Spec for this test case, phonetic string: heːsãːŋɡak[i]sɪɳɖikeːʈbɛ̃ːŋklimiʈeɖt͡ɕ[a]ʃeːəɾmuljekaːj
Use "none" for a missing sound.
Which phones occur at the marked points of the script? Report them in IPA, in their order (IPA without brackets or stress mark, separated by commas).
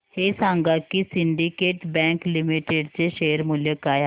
i, e